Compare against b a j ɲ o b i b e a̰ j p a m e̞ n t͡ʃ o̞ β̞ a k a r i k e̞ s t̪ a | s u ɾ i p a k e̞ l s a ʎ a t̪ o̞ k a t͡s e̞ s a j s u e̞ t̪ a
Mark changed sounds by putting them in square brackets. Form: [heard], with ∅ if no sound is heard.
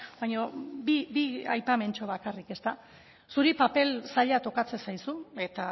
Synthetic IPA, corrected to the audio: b a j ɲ o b i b [i] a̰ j p a m e̞ n t͡ʃ o̞ β̞ a k a r i k e̞ s t̪ a | s u ɾ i p a [p] e̞ l s a ʎ a t̪ o̞ k a t͡s e̞ s a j s u e̞ t̪ a